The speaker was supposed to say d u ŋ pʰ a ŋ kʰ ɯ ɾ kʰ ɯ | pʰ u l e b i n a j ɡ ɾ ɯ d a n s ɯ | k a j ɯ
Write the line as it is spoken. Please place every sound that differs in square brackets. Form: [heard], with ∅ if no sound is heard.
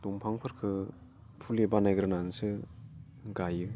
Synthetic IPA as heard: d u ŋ pʰ a ŋ [pʰ] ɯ ɾ kʰ ɯ | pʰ u l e b [a] n a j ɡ ɾ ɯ [n] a n s ɯ | [ɡ] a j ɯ